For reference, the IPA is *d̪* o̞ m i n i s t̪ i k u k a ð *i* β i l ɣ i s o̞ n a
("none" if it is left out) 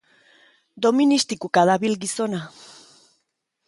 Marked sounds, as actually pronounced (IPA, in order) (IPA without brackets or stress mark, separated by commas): d̪, a